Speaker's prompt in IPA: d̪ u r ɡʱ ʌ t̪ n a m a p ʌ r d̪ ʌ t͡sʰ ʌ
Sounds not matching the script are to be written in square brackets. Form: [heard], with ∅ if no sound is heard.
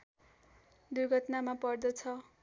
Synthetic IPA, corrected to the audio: d̪ u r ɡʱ ʌ t̪ n a m a p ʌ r d̪ ʌ t͡sʰ ʌ